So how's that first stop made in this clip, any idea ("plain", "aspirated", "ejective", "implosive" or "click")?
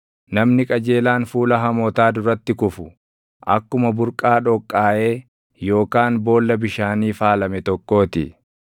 ejective